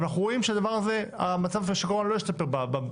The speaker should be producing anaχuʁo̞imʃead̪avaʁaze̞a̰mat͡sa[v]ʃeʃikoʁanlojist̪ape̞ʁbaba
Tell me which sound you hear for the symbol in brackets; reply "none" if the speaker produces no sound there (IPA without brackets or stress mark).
v